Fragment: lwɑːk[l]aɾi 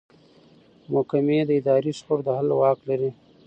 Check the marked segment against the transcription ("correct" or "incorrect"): correct